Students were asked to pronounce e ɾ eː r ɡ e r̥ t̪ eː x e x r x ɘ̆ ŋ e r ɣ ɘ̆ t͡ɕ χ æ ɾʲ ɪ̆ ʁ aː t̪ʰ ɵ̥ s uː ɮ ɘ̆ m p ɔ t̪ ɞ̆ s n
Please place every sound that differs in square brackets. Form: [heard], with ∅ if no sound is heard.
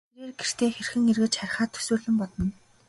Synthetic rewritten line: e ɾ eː r ɡ e r̥ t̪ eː x e [∅] r x ɘ̆ ŋ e r ɣ ɘ̆ t͡ɕ χ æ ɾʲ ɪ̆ [χ] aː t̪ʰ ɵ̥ s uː ɮ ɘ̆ m p ɔ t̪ ɞ̆ [∅] n